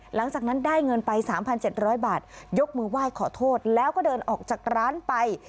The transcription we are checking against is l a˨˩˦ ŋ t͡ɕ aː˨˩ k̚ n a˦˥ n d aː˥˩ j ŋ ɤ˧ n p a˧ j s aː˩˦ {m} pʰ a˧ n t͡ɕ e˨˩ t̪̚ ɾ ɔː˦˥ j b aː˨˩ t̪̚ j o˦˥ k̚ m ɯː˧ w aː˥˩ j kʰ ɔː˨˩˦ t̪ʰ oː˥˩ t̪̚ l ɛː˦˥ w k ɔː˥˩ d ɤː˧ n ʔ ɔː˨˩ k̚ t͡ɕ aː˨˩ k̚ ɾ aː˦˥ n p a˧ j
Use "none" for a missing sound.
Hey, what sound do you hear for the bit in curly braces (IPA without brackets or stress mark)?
m